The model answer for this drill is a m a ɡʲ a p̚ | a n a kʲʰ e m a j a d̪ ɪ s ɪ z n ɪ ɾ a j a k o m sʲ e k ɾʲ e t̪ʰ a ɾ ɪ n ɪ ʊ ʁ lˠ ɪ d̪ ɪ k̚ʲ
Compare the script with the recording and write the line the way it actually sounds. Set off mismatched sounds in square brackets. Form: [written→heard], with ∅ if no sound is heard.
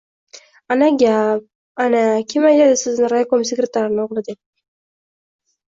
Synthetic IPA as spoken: a [m→n] a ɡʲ a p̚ | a n a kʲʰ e m a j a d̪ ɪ s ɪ z n ɪ ɾ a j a k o m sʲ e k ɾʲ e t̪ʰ a ɾ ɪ n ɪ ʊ ʁ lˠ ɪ d̪ ɪ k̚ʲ